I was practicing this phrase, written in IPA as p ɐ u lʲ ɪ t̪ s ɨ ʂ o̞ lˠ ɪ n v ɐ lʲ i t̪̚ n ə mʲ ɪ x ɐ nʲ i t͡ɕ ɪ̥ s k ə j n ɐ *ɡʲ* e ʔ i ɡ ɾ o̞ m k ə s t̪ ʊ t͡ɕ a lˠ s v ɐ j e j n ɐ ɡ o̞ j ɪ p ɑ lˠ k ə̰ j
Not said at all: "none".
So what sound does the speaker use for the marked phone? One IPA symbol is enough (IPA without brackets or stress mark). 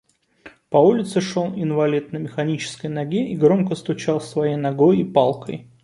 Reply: ɡʲ